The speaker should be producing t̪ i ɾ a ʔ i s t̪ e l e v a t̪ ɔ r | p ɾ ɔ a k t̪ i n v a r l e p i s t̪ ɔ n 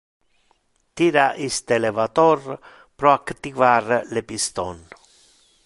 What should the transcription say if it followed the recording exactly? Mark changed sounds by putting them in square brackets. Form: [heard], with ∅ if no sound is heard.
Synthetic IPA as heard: t̪ i ɾ a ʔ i s t̪ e l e v a t̪ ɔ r | p ɾ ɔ a k t̪ i [∅] v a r l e p i s t̪ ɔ n